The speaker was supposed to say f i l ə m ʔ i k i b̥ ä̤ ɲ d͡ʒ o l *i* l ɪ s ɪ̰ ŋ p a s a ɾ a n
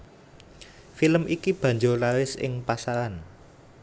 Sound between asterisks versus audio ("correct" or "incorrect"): incorrect